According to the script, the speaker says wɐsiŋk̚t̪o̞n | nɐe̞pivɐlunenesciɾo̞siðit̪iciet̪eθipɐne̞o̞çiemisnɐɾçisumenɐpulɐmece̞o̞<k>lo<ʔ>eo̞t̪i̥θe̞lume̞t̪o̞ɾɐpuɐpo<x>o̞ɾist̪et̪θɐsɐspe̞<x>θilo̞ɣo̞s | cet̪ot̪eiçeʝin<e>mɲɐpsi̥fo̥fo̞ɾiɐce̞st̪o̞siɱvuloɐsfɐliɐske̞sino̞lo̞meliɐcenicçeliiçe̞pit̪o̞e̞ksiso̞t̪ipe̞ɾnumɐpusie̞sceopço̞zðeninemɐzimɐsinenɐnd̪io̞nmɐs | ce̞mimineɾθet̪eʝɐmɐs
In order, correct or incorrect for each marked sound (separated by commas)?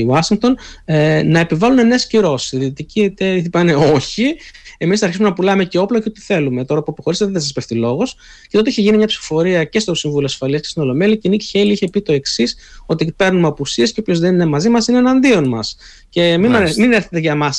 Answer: incorrect, incorrect, correct, incorrect, incorrect